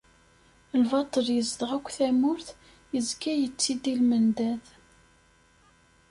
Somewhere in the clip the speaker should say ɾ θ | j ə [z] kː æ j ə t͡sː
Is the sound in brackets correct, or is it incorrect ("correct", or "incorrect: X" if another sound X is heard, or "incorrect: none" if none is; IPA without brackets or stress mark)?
correct